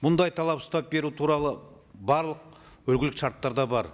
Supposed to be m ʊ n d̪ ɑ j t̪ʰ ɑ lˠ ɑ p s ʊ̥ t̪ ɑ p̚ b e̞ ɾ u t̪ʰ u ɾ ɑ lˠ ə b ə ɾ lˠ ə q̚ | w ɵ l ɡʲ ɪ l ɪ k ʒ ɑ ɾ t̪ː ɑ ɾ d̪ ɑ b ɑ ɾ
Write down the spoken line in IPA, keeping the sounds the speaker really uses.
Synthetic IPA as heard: m ʊ n d̪ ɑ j t̪ʰ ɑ lˠ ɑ p s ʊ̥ t̪ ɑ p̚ b e̞ ɾ u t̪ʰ u ɾ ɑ lˠ ə b ɑ ɾ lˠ ə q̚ | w ɵ l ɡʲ ɪ l ɪ k ʃ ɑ ɾ t̪ː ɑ ɾ d̪ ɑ b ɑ ɾ